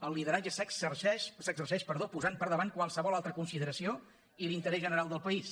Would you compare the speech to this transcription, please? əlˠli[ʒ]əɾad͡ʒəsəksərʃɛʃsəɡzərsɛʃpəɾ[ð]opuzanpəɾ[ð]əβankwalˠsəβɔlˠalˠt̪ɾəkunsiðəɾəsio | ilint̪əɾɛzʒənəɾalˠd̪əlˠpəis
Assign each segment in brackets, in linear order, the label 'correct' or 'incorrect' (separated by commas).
incorrect, correct, correct